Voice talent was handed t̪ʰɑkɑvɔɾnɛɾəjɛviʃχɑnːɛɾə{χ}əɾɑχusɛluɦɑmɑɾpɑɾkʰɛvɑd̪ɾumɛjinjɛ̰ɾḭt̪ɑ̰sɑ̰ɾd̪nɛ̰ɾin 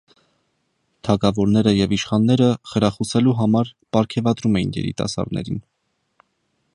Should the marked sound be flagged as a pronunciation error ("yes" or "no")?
no